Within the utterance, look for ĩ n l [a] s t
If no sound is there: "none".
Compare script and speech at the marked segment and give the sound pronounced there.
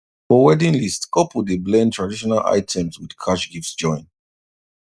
i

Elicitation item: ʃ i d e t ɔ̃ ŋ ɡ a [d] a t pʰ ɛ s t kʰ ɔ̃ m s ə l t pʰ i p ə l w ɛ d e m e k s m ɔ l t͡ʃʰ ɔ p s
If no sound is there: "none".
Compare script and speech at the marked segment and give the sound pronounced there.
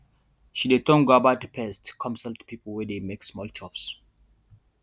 b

